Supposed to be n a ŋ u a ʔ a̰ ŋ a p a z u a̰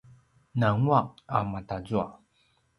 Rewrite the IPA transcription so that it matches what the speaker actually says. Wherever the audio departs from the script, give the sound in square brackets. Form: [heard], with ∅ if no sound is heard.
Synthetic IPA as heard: n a ŋ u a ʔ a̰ [m] a [t] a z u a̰